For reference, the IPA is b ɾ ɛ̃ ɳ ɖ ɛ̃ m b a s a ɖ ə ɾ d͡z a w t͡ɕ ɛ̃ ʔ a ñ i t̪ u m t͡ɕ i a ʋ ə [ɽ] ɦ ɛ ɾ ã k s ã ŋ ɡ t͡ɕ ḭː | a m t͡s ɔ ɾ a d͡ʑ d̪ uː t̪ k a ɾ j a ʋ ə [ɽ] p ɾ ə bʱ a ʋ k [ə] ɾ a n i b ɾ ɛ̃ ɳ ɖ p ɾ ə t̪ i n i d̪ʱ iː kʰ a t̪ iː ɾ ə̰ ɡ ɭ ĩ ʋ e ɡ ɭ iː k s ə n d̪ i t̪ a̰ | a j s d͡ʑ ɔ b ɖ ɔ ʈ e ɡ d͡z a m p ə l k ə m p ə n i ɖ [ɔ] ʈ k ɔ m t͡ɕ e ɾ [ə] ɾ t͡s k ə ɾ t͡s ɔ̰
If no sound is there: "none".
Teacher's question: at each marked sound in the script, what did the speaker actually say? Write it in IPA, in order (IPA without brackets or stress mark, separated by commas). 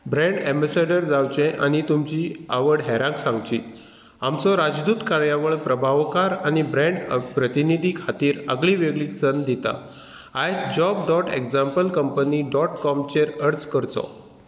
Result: ɽ, ɭ, a, ɔ, ə